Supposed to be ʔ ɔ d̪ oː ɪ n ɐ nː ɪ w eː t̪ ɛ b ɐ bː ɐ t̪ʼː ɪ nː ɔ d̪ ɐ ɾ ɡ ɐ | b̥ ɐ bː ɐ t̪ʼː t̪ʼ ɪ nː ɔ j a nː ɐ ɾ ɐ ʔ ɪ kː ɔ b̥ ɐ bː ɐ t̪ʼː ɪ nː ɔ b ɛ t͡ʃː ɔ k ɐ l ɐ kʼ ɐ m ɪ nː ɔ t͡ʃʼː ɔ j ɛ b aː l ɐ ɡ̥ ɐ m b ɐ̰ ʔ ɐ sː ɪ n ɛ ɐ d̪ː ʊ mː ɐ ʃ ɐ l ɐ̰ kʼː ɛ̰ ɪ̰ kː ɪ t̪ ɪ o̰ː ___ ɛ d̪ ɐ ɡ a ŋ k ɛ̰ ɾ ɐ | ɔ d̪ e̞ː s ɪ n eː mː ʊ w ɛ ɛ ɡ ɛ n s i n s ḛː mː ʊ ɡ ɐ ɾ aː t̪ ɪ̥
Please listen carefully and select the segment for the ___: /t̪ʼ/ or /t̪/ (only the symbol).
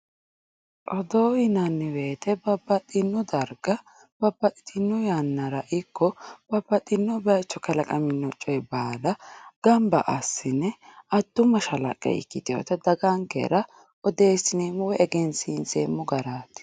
t̪